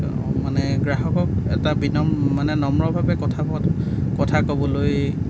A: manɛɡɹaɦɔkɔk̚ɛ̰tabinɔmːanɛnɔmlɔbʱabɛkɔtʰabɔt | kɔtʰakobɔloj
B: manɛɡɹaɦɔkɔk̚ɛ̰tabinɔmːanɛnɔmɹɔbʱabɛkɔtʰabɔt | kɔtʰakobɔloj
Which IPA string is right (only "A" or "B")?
B